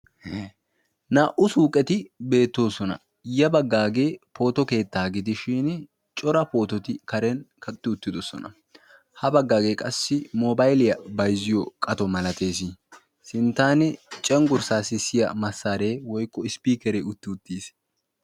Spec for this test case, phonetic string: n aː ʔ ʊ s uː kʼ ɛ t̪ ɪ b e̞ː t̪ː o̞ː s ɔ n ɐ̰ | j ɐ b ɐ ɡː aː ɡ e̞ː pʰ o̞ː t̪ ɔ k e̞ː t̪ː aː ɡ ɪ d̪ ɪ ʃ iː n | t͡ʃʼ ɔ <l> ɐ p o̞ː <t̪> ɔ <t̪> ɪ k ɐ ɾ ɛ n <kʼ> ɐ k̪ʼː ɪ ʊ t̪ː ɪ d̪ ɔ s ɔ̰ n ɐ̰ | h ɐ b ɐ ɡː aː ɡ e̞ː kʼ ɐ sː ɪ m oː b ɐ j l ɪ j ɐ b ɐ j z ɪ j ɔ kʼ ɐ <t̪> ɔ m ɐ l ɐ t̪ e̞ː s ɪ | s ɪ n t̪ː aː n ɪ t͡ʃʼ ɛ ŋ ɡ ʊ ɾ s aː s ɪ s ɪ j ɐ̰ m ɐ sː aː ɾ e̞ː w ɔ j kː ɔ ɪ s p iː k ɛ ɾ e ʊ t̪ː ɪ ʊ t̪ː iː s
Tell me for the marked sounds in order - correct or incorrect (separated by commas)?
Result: incorrect, correct, correct, incorrect, correct